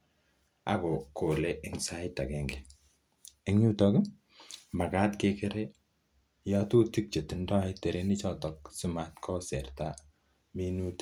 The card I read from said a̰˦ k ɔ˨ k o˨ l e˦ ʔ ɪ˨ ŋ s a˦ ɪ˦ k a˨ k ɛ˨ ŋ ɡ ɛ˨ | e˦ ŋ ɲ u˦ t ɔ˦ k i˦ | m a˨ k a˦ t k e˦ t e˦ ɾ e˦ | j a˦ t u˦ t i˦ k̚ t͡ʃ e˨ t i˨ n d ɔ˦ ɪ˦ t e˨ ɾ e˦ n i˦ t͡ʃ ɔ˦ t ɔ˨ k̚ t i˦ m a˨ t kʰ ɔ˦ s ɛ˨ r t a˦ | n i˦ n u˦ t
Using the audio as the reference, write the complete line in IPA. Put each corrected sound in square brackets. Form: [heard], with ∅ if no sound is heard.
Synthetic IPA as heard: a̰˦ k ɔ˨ k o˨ l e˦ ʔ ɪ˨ ŋ s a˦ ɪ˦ [t] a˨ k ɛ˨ ŋ ɡ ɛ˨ | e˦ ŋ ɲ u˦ t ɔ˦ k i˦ | m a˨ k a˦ t k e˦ [k] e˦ ɾ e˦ | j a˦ t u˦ t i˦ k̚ t͡ʃ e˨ t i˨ n d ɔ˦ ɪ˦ t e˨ ɾ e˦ n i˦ t͡ʃ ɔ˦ t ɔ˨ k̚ [s] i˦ m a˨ t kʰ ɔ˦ s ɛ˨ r t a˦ | [m] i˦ n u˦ t

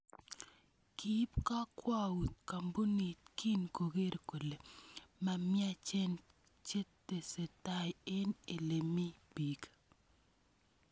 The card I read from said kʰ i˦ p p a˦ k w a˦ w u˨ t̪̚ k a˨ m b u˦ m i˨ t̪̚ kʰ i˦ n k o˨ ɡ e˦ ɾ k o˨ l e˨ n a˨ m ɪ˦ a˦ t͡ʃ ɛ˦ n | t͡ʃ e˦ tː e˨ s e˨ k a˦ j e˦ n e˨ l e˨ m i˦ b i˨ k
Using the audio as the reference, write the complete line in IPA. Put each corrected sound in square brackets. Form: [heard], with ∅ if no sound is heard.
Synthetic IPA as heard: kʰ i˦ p [k] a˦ k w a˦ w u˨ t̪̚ k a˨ m b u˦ [n] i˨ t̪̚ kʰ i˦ n k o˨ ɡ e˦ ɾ k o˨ l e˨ [m] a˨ m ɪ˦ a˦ t͡ʃ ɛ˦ n | t͡ʃ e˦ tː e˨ s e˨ [t] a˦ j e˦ n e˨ l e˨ m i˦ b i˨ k

